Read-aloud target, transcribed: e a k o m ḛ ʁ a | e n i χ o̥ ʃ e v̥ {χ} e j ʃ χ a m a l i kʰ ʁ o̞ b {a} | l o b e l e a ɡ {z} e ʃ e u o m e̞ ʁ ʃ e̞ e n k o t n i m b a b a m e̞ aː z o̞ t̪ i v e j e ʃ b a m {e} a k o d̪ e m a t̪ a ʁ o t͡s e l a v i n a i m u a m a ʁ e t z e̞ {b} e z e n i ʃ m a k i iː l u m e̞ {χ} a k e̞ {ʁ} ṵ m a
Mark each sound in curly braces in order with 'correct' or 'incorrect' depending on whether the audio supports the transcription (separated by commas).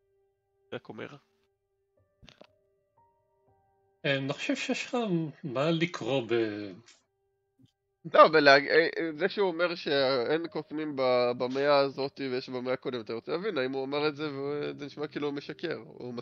incorrect, incorrect, correct, correct, incorrect, incorrect, correct